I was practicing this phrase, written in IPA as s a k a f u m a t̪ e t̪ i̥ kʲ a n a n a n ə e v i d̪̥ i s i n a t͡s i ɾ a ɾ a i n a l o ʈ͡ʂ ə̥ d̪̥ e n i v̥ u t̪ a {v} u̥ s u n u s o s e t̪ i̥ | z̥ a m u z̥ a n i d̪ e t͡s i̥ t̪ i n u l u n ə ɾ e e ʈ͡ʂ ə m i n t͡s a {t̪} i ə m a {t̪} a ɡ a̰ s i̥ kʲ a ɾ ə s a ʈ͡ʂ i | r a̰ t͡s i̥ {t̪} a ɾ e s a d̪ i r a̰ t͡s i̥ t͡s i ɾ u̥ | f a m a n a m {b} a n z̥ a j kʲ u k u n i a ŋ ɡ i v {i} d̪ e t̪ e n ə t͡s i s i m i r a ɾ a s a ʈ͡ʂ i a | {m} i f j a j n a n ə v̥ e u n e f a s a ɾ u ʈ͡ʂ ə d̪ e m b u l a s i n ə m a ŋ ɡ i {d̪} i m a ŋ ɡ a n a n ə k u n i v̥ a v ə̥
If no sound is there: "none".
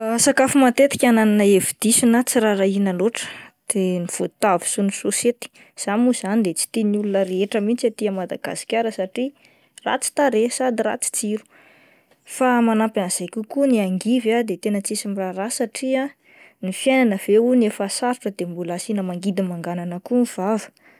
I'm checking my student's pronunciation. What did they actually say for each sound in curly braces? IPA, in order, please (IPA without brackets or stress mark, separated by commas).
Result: v, t̪, d̪, t̪, p, a, n, d̪